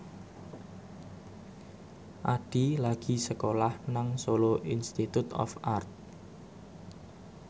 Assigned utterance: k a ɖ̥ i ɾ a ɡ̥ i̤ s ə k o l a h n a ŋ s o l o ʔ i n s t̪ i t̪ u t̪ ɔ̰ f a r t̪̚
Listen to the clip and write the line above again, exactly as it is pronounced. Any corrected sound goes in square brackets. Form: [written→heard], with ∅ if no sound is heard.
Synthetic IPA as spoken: [k→ʔ] a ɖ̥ i [ɾ→l] a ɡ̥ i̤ s ə k o l a h n a ŋ s o l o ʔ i n s t̪ i t̪ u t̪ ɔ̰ f a r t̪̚

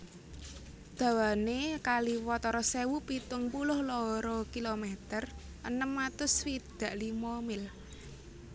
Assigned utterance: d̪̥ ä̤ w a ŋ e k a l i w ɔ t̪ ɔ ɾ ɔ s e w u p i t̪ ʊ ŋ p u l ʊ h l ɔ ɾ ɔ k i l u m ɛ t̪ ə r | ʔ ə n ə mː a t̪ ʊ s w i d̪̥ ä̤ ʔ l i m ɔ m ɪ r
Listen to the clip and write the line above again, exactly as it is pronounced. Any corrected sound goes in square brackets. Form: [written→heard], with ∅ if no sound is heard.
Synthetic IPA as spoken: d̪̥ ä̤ w a [ŋ→n] e k a l i w ɔ t̪ ɔ ɾ ɔ s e w u p i t̪ ʊ ŋ p u l ʊ h l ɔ ɾ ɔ k i l [u→o] m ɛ t̪ ə r | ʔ ə n ə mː a t̪ ʊ s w i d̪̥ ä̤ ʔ l i m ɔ m ɪ [r→l]

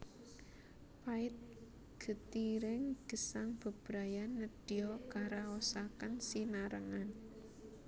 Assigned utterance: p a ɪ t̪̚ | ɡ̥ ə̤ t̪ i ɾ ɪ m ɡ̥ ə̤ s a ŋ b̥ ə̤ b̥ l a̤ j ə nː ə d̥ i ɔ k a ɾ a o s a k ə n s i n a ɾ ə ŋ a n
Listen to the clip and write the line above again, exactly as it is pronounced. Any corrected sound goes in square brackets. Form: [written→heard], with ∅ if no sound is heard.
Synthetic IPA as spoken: p a ɪ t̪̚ | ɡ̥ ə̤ t̪ i ɾ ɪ [m→ŋ] ɡ̥ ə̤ s a ŋ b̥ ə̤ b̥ [l→ɾ] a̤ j [ə→a] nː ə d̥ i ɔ k a ɾ a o s a k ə n s i n a ɾ ə ŋ a n

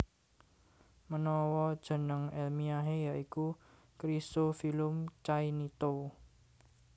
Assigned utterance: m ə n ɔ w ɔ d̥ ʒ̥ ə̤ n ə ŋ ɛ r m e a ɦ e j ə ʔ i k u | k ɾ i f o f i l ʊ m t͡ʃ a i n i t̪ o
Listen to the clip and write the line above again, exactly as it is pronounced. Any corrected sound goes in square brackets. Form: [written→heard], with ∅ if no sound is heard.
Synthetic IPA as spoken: m ə n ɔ w ɔ d̥ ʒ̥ ə̤ n ə ŋ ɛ [r→l] m [e→i] a ɦ e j [ə→a] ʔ i k u | k ɾ i [f→s] o f i l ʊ m t͡ʃ a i n i t̪ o

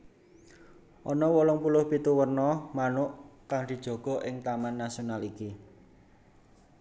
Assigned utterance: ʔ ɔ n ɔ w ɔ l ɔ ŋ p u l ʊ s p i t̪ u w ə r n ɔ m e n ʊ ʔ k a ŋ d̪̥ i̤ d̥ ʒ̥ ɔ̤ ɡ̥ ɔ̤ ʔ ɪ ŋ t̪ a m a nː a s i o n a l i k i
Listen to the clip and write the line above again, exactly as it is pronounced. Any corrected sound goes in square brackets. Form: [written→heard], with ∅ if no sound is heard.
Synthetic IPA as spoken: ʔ ɔ n ɔ w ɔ l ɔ ŋ p u l ʊ [s→h] p i t̪ u w ə r n ɔ m [e→a] n ʊ ʔ k a ŋ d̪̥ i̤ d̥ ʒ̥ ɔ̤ ɡ̥ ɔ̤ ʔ ɪ ŋ t̪ a m a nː a s i o n a l i k i

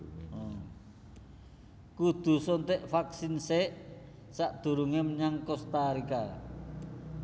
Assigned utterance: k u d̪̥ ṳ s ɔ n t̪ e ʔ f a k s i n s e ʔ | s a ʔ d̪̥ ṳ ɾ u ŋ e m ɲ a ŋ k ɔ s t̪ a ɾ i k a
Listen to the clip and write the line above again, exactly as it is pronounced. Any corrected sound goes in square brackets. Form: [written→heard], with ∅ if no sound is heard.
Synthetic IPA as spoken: k u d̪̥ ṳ s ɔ n t̪ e ʔ f a k s i n s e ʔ | s a ʔ d̪̥ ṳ ɾ u ŋ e m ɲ a ŋ k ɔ s t̪ a ɾ i k a

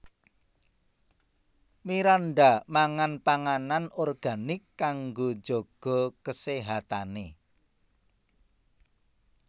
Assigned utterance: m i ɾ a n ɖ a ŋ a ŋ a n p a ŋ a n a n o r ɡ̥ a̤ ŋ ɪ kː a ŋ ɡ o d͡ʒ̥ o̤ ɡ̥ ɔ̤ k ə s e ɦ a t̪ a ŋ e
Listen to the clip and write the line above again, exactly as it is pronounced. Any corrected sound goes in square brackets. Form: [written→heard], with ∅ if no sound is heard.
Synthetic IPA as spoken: m i ɾ a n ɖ a [ŋ→m] a ŋ a n p a ŋ a n a n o r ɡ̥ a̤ [ŋ→n] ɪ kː a ŋ ɡ o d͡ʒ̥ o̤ ɡ̥ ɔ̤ k ə s e ɦ a t̪ a [ŋ→n] e

